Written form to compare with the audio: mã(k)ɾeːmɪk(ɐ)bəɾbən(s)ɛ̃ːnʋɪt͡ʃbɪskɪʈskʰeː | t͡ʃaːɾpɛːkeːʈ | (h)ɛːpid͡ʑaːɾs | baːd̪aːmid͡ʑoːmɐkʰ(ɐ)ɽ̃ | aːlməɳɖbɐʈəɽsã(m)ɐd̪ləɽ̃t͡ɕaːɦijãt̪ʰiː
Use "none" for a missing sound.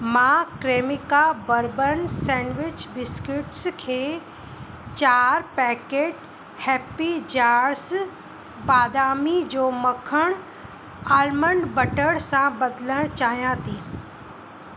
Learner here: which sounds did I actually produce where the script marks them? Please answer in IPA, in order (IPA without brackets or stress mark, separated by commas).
k, a, s, h, ə, b